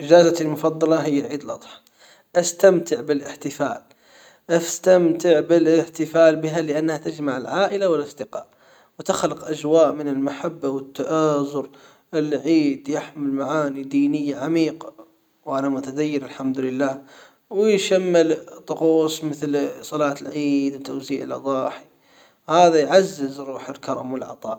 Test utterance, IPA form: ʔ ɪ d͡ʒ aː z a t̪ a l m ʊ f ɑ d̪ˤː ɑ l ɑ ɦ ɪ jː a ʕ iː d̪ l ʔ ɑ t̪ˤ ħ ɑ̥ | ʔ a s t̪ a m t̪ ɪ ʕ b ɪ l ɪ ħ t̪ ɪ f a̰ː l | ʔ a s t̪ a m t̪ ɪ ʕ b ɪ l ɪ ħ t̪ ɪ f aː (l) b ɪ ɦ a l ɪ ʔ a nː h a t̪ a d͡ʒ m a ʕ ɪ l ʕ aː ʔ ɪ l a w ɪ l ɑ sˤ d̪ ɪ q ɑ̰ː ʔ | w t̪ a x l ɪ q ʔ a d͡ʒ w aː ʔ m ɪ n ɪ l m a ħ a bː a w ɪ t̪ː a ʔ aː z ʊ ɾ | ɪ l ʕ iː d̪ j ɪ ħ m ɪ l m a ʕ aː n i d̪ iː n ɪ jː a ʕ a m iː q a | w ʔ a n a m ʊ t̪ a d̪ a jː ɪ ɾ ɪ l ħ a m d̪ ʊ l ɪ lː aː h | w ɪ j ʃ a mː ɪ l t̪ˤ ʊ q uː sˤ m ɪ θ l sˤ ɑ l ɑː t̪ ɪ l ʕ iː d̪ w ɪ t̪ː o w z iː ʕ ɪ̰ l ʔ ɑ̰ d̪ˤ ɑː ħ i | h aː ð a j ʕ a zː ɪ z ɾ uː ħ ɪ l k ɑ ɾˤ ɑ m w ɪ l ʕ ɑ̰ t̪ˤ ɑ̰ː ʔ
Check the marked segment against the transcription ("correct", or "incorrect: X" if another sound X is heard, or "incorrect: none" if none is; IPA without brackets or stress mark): correct